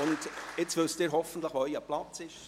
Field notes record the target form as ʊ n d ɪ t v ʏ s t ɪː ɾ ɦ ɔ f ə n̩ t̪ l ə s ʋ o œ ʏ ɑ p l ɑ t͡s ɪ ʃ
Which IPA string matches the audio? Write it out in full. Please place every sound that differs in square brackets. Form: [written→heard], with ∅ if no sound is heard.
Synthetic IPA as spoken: ʊ n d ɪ [t→t͡s] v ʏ s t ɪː ɾ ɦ ɔ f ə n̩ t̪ l ə [s→χ] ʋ o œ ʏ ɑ p l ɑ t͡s ɪ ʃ